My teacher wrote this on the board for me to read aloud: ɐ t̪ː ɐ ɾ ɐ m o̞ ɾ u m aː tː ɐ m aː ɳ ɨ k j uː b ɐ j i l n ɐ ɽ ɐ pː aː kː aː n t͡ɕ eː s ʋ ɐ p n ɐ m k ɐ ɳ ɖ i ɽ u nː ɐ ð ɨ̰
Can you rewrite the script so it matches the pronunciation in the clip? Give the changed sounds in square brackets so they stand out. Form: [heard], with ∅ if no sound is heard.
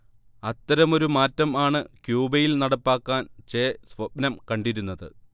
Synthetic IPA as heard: ɐ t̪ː ɐ ɾ ɐ m o̞ ɾ u m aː tː ɐ m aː ɳ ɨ k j uː b ɐ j i l n ɐ ɽ ɐ pː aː kː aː n t͡ɕ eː s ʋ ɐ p n ɐ m k ɐ ɳ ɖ i [ɾ] u nː ɐ ð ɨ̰